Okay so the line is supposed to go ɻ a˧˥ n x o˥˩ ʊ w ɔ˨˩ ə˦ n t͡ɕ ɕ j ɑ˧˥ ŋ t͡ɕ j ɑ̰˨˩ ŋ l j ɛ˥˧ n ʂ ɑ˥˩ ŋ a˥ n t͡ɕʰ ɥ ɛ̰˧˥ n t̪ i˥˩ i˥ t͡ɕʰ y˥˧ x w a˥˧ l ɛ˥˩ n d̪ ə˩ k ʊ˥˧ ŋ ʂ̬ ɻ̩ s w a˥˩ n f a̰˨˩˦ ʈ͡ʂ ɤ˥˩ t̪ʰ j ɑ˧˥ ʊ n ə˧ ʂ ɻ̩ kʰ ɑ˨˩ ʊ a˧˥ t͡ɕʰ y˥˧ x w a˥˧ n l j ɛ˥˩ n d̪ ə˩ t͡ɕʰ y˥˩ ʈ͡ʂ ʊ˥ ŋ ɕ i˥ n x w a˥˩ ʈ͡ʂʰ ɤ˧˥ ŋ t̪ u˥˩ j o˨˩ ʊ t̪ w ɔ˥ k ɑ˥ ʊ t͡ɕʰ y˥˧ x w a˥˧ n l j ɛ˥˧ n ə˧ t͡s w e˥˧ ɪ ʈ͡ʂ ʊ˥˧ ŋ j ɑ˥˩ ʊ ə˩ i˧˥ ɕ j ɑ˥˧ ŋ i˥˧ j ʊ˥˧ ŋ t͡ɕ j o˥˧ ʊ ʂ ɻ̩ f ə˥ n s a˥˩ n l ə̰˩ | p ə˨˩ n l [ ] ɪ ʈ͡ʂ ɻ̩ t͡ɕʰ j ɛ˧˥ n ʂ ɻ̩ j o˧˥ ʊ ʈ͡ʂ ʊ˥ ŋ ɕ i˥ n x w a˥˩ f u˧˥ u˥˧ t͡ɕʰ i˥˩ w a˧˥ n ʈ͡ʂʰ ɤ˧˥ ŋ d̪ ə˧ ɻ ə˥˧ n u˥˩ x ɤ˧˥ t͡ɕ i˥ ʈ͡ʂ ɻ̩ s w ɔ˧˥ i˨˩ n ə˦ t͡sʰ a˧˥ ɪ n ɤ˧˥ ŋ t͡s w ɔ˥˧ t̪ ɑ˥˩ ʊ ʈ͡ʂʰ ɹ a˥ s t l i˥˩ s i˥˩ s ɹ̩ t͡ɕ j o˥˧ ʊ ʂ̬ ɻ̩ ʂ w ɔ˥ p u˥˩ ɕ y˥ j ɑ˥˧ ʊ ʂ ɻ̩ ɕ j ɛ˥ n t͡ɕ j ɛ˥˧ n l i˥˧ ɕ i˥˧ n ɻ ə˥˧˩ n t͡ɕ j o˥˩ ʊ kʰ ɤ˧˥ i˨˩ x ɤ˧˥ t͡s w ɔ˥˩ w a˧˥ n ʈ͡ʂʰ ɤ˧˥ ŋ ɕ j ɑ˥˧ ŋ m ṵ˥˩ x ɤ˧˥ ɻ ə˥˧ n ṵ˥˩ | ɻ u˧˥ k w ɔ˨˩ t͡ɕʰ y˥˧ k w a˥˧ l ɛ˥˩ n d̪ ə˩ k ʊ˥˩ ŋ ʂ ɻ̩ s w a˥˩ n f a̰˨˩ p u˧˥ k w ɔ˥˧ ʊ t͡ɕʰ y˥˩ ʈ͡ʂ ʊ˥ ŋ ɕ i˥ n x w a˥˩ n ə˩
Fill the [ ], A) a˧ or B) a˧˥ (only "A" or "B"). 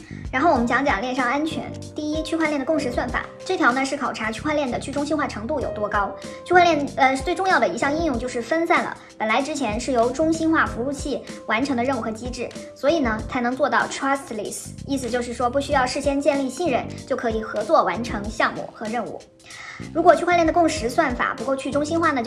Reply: B